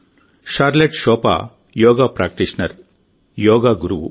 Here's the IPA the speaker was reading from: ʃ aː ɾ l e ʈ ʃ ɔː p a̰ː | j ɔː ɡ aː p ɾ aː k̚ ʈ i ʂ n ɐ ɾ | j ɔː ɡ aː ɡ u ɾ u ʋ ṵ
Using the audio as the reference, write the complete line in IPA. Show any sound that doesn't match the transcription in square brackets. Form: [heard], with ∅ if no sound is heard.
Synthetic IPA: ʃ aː ɾ l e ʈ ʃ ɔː p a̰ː | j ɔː ɡ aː p ɾ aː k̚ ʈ i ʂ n ɐ ɾ | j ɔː ɡ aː ɡ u ɾ u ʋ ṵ